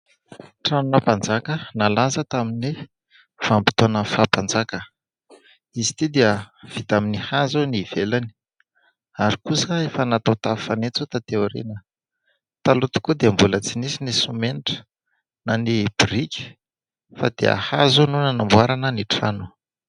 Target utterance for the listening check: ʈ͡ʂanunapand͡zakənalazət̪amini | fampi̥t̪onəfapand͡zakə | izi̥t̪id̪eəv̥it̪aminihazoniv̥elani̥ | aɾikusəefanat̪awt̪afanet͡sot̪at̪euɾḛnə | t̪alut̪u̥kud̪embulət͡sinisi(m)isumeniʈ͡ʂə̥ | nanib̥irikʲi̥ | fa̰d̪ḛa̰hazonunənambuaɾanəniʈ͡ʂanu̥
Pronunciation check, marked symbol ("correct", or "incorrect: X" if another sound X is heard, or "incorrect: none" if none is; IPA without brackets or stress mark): incorrect: n